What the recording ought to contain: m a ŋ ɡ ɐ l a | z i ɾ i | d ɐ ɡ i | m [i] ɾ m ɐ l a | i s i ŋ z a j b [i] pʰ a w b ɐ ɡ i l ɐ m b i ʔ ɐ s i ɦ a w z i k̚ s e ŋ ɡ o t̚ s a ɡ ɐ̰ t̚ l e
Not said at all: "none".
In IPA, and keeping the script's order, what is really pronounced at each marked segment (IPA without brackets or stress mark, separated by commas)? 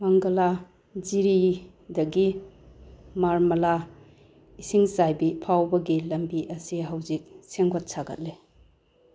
a, i